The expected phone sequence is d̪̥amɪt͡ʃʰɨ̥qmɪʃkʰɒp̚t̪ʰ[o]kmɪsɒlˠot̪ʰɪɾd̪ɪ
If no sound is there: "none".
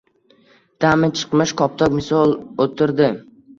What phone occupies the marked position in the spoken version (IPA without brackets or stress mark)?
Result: ɒ